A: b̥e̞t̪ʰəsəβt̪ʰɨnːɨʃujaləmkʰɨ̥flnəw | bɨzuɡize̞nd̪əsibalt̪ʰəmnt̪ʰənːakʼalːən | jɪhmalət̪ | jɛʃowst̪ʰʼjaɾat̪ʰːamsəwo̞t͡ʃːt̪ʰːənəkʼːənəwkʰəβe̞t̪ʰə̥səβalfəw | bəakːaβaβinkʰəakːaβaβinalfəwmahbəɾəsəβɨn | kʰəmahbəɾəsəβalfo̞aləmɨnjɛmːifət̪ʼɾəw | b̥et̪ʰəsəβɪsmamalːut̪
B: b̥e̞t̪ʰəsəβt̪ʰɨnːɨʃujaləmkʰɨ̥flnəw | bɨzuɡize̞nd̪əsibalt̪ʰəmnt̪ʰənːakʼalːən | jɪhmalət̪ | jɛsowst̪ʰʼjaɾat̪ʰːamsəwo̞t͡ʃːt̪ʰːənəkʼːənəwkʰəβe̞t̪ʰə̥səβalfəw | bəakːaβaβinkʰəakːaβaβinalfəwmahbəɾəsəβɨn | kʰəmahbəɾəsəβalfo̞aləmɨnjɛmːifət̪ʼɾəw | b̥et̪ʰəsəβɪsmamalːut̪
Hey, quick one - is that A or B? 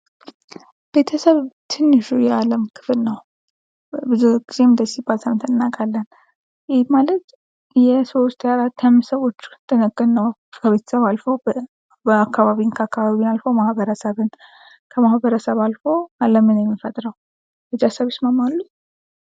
B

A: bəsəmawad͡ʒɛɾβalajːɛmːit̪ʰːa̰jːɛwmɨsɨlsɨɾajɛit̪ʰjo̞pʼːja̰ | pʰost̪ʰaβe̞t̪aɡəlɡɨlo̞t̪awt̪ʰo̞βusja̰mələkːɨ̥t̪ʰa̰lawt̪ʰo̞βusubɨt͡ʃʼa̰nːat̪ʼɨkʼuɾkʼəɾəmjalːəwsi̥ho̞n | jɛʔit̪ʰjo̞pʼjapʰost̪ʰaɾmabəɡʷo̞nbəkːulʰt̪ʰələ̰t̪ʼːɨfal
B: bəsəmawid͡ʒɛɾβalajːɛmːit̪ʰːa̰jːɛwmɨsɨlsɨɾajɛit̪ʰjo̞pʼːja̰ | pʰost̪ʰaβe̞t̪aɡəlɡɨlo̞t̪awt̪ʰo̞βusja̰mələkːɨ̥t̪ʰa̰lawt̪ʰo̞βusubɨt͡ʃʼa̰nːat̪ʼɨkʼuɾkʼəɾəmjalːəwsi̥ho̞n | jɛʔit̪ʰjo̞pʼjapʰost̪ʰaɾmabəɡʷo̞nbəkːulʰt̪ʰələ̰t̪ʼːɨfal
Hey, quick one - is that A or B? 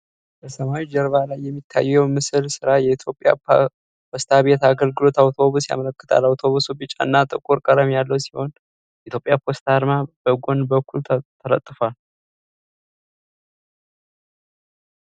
B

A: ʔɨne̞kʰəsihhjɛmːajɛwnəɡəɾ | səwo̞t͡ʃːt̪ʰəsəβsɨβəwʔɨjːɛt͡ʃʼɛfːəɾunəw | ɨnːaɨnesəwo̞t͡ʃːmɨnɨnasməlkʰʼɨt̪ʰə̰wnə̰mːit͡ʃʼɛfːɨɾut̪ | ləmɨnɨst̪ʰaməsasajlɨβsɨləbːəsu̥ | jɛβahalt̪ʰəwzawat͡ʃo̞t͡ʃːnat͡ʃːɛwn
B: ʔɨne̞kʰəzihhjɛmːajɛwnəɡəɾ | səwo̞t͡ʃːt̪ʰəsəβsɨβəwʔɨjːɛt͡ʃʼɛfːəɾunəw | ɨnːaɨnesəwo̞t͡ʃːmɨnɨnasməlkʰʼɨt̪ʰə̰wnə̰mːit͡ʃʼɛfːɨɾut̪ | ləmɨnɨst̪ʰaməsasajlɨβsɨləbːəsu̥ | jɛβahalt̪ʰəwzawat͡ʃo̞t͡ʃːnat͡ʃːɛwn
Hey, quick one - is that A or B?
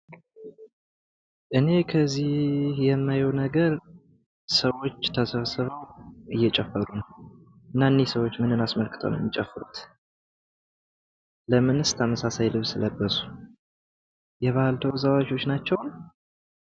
B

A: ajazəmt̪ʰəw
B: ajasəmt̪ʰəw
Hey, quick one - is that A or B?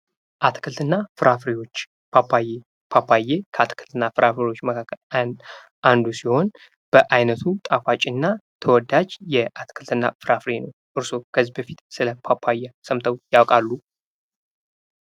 B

